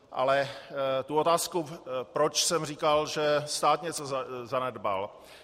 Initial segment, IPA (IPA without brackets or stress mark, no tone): ʔ